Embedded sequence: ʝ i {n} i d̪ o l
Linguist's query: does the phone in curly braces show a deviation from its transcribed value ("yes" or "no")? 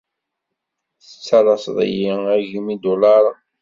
yes